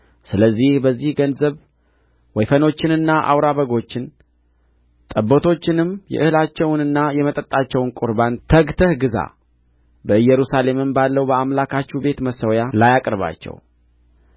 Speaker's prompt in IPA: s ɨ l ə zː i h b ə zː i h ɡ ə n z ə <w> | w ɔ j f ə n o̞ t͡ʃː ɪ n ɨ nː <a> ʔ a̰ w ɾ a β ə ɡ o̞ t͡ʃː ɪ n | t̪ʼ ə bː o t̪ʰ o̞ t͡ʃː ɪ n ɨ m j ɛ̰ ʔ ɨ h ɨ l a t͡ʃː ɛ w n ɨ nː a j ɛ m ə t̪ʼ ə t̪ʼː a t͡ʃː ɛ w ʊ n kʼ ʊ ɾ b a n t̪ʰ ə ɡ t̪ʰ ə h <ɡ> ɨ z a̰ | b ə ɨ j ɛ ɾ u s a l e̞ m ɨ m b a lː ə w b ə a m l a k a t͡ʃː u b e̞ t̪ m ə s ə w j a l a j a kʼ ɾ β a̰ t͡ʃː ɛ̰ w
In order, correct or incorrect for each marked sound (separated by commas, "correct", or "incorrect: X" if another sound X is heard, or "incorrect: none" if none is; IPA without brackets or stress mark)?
incorrect: β, correct, correct